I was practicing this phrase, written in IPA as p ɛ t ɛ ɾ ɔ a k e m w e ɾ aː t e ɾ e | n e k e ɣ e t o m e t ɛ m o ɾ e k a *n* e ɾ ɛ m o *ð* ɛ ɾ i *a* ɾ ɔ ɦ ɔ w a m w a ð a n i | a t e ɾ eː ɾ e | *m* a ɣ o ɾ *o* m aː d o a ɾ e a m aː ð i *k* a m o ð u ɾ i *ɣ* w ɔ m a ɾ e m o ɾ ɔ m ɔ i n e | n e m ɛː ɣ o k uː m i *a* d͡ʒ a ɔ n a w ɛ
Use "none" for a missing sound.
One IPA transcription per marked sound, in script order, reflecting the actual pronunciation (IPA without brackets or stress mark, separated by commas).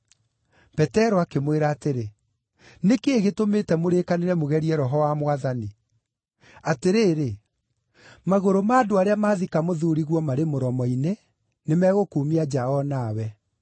n, ɣ, ɛ, m, o, k, ɣ, a